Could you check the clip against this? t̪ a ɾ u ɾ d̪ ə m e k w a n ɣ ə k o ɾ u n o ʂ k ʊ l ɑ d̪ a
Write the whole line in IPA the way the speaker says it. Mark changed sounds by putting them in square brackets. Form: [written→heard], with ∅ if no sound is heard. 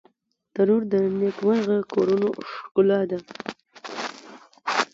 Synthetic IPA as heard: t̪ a ɾ u ɾ d̪ ə [m→n] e k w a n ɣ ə k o ɾ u n o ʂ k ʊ l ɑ d̪ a